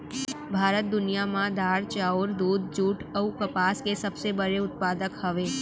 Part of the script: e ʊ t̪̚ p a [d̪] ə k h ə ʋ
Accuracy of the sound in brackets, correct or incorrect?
correct